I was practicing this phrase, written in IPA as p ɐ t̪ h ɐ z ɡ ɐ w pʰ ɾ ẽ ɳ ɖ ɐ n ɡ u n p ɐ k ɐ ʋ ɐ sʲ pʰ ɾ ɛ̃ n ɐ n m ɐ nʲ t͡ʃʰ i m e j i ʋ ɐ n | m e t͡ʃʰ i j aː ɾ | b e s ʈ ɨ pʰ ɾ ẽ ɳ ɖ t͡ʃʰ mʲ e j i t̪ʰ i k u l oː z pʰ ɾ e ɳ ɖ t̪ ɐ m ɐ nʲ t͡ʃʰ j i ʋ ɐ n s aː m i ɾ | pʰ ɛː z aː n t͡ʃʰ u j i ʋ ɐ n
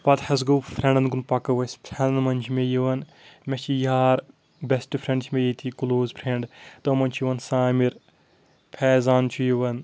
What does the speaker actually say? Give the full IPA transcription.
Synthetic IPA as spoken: p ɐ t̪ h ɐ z ɡ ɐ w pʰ ɾ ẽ ɳ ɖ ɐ n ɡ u n p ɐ k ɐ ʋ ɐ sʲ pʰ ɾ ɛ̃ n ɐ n m ɐ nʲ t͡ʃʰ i m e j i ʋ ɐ n | m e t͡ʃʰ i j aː ɾ | b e s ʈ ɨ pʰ ɾ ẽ ɳ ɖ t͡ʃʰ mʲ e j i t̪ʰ i k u l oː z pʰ ɾ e ɳ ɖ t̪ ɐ m ɐ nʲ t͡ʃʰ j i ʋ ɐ n s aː m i ɾ | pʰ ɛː z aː n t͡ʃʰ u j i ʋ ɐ n